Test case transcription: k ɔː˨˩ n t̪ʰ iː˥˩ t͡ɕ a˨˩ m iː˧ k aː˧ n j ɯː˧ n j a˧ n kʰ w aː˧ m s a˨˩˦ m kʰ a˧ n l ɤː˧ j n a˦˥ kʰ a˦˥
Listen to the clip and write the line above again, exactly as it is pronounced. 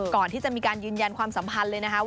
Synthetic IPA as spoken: k ɔː˨˩ n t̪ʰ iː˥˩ t͡ɕ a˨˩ m iː˧ k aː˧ n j ɯː˧ n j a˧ n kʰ w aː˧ m s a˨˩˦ m pʰ a˧ n l ɤː˧ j n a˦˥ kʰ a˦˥